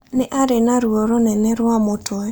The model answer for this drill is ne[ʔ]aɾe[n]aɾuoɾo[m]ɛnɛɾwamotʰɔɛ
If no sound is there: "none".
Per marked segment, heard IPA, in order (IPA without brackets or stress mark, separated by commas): ʔ, n, n